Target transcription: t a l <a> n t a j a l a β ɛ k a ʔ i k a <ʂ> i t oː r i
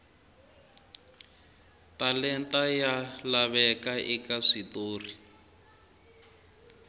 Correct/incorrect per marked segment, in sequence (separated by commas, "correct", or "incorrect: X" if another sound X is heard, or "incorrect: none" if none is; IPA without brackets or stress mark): incorrect: ɛ, correct